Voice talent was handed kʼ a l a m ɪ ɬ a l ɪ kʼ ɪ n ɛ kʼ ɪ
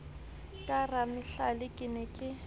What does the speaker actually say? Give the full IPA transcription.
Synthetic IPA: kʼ a r a m ɪ ɬ a l ɪ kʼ ɪ n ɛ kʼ ɪ